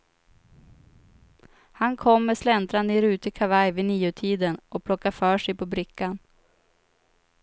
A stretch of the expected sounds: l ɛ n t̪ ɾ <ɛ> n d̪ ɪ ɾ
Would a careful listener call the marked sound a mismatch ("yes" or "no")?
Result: yes